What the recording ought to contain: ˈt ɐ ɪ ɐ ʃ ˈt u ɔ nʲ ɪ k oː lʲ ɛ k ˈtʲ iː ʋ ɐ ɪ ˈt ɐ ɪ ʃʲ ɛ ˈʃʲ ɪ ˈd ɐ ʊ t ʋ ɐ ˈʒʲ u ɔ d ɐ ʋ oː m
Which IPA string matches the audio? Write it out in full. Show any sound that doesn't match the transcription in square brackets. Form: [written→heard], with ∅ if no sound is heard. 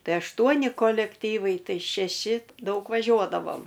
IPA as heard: ˈt ɐ ɪ ɐ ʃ ˈt u ɔ nʲ ɪ k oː lʲ ɛ k ˈtʲ iː ʋ ɐ ɪ ˈt ɐ ɪ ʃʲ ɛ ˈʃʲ ɪ ˈd ɐ ʊ [t→k] ʋ ɐ ˈʒʲ u ɔ d ɐ ʋ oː m